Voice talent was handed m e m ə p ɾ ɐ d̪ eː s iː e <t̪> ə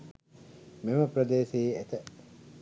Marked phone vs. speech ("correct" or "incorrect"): correct